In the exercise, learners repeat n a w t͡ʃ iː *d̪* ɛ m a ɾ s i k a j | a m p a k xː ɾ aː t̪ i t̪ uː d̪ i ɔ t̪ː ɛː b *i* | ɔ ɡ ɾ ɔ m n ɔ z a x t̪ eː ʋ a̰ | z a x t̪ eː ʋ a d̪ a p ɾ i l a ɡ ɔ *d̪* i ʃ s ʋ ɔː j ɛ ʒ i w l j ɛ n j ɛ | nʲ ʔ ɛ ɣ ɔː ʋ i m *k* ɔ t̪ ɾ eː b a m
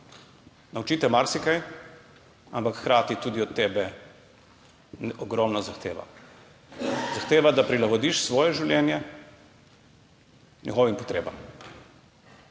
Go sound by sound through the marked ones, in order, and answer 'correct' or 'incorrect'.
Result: incorrect: t̪, incorrect: ɛ, correct, incorrect: p

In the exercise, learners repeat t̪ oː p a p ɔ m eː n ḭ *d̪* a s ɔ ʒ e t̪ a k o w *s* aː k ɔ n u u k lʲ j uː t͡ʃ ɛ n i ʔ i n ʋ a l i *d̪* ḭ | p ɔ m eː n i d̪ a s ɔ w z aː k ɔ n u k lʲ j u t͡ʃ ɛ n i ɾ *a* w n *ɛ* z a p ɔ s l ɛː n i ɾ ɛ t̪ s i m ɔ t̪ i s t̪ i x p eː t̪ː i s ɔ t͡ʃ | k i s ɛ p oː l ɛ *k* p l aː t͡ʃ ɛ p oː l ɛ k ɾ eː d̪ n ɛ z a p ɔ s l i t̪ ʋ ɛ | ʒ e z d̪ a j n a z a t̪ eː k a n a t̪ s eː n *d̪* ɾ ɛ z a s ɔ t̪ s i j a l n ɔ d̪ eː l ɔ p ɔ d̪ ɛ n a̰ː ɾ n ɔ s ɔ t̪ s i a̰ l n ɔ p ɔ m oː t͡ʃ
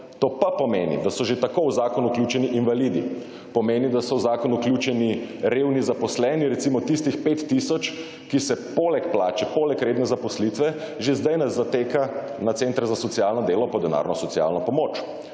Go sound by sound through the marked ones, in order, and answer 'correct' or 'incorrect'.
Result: correct, incorrect: z, correct, incorrect: e, incorrect: i, correct, incorrect: t̪

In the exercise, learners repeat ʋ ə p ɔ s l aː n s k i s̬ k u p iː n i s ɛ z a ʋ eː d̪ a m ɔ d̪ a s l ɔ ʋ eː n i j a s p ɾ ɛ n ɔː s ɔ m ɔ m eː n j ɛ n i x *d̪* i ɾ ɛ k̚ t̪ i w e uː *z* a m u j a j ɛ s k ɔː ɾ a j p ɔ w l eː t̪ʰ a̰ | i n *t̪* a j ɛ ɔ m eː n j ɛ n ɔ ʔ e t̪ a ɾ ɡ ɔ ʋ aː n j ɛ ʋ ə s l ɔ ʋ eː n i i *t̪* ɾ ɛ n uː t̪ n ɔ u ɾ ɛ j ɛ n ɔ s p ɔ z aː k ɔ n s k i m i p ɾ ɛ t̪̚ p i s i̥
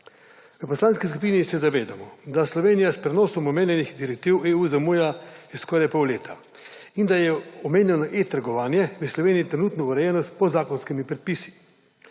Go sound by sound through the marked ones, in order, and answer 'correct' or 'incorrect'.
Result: correct, correct, incorrect: d̪, correct

